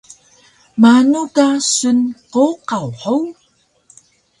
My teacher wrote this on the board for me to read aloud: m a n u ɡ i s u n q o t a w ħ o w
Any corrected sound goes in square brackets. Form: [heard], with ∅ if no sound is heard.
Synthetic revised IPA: m a n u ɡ [a] s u n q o [q] a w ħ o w